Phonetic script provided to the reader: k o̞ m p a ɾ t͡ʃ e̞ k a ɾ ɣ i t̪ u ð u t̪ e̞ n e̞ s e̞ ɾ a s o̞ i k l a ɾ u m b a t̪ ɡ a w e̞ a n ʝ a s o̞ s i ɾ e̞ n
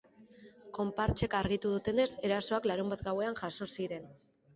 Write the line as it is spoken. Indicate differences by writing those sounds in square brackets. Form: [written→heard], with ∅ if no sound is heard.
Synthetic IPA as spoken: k o̞ m p a ɾ t͡ʃ e̞ k a ɾ ɣ i t̪ u ð u t̪ e̞ n e̞ s e̞ ɾ a s o̞ [i→a] k l a ɾ u m b a t̪ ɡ a w e̞ a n ʝ a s o̞ s i ɾ e̞ n